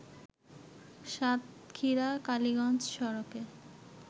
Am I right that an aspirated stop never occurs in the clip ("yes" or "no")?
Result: no